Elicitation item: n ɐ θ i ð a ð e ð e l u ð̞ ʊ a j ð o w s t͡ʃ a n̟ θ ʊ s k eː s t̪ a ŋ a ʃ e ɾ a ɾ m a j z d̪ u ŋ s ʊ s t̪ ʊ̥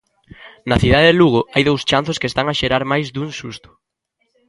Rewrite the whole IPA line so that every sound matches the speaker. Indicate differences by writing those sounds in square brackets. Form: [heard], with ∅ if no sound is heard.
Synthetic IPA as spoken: n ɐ θ i ð a ð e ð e l u [ɣ̞] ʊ a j ð o w s t͡ʃ a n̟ θ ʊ s k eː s t̪ a ŋ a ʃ e ɾ a ɾ m a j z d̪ u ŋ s [u] s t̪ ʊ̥